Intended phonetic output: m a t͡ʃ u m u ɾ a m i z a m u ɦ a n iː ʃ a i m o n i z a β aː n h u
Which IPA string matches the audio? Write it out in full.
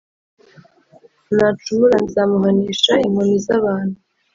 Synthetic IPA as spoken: n a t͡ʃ u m u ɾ a n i z a m u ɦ a n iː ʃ a i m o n i z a β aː n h u